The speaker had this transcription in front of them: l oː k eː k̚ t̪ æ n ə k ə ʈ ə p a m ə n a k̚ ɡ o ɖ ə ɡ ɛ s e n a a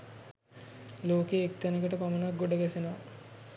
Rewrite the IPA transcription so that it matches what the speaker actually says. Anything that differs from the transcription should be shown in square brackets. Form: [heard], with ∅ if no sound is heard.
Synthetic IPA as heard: l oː k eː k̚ t̪ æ n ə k ə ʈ ə p a m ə n a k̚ ɡ o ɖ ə ɡ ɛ s e n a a